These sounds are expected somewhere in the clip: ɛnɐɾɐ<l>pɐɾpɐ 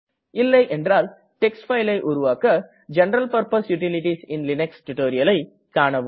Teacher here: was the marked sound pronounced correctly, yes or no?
yes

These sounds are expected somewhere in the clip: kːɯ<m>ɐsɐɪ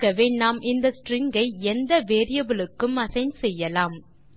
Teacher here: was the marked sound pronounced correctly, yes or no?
yes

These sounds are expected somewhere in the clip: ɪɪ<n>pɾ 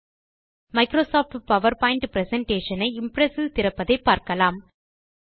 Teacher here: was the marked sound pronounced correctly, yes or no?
no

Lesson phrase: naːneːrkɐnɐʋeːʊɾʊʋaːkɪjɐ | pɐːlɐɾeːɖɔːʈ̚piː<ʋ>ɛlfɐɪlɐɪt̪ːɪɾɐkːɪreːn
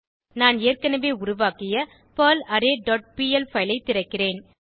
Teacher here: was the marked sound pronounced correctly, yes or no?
no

